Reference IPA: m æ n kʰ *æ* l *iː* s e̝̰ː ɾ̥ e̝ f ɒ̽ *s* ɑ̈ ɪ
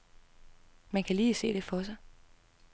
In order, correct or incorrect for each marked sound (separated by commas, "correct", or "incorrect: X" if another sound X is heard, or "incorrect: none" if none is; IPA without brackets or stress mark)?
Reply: correct, correct, correct